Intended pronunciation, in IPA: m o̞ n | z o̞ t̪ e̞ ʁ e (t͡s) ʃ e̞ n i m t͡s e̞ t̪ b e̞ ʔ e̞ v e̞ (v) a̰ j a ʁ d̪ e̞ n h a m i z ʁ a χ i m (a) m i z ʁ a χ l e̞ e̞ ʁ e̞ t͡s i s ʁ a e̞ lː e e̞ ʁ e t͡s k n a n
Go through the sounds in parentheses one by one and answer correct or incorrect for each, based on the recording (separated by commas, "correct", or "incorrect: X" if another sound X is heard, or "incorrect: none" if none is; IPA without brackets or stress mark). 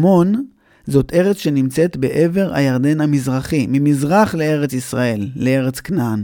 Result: correct, incorrect: ʁ, incorrect: i